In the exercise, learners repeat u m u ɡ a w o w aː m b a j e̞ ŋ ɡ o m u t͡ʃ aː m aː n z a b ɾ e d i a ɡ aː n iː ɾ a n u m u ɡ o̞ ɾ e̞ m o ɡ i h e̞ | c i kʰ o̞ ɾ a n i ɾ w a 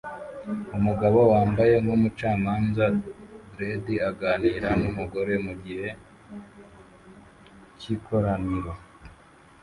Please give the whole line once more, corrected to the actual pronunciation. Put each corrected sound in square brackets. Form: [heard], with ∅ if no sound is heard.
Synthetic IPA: u m u ɡ a [β] o w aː m b a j e̞ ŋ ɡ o m u t͡ʃ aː m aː n z a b ɾ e d i a ɡ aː n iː ɾ a n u m u ɡ o̞ ɾ e̞ m [u] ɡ i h e̞ | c i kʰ o̞ ɾ a n i ɾ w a